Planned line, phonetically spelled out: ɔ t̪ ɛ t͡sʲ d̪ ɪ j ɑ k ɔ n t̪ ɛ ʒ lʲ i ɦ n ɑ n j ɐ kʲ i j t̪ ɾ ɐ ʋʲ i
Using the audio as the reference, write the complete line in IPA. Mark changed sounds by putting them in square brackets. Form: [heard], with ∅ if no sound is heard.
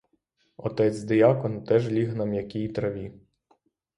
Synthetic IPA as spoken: ɔ t̪ ɛ t͡sʲ d̪ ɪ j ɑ k ɔ n t̪ ɛ ʒ lʲ i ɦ n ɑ [m] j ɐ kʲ i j t̪ ɾ ɐ ʋʲ i

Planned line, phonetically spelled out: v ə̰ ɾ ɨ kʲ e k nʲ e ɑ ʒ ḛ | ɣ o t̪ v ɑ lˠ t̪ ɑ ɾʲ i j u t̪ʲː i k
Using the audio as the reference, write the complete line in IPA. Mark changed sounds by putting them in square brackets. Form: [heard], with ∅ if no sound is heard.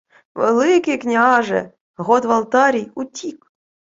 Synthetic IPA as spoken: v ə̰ [l] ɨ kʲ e k nʲ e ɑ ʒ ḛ | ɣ o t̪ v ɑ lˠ t̪ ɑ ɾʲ i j u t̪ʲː i k

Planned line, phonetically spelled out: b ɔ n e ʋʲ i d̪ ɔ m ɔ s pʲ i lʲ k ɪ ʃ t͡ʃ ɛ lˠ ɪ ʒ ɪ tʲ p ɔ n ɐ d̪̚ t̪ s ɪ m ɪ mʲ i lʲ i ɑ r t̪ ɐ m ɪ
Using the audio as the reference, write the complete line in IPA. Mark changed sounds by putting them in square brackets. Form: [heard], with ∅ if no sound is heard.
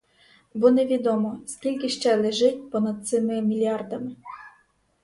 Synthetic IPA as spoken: b ɔ n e ʋʲ i d̪ ɔ m ɔ s [kʲ] i lʲ k ɪ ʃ t͡ʃ ɛ lˠ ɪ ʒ ɪ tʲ p ɔ n ɐ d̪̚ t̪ s ɪ m ɪ mʲ i lʲ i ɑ r [d̪] ɐ m ɪ

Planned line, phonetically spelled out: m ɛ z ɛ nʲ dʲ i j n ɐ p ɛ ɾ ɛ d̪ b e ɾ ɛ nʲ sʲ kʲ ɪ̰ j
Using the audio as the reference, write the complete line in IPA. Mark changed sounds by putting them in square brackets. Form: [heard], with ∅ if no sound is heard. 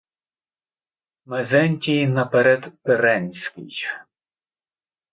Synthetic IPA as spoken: m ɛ z ɛ nʲ [tʲ] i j n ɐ p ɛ ɾ ɛ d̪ [p] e ɾ ɛ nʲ sʲ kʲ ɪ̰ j

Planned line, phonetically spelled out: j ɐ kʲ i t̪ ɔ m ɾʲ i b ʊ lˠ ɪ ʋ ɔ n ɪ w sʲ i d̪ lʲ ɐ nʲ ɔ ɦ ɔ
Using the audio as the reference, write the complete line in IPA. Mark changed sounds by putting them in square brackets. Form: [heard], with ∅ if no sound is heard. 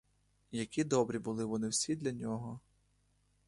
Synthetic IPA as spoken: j ɐ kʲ i [d̪] ɔ [b] ɾʲ i b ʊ lˠ ɪ ʋ ɔ n ɪ w sʲ i d̪ lʲ ɐ nʲ ɔ ɦ ɔ

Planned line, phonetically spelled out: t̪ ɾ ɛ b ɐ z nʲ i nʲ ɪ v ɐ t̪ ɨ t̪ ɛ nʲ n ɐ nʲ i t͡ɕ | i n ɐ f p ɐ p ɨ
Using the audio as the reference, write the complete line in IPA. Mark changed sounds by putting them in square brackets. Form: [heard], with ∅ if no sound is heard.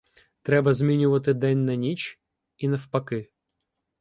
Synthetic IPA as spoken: t̪ ɾ ɛ b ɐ z [mʲ] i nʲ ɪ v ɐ t̪ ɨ [d̪] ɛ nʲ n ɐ nʲ i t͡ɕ | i n ɐ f p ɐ [k] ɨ

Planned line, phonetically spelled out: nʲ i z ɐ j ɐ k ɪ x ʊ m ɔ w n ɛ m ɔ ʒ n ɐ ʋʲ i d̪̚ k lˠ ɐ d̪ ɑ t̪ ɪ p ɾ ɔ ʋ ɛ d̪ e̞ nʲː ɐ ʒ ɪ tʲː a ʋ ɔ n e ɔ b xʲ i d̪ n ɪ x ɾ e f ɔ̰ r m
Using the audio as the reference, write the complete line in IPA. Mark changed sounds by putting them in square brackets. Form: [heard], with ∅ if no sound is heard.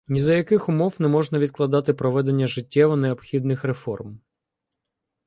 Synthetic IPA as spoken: nʲ i z ɐ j ɐ k ɪ x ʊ m ɔ w n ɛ m ɔ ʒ n ɐ ʋʲ i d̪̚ k lˠ ɐ d̪ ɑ t̪ ɪ p ɾ ɔ ʋ ɛ d̪ e̞ nʲː ɐ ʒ ɪ tʲː [ɛ] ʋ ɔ n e ɔ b xʲ i d̪ n ɪ x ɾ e f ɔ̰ r m

